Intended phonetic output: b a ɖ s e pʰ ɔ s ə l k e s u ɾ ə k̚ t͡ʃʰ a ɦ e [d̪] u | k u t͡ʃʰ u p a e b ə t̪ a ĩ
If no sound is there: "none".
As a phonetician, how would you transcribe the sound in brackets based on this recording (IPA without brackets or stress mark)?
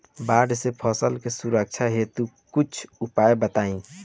t̪